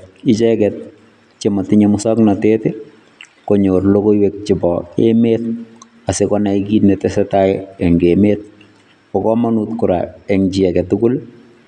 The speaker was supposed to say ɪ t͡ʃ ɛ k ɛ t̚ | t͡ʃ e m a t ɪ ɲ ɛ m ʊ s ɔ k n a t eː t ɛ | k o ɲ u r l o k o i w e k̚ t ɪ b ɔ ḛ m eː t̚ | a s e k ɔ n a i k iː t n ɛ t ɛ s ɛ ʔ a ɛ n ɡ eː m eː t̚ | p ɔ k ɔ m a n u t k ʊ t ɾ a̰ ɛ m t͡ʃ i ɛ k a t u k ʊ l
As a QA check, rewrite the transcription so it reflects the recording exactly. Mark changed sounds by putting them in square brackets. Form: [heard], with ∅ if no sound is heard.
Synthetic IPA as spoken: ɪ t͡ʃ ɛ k ɛ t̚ | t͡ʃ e m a t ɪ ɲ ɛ m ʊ s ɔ k n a t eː t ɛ | k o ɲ [o] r l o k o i w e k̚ [t͡ʃ] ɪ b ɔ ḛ m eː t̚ | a s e k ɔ n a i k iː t n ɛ t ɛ s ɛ [t] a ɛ [ŋ] ɡ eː m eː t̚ | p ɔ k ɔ m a n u t k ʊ [∅] ɾ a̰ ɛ [ŋ] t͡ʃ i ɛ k [ɛ] t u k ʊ l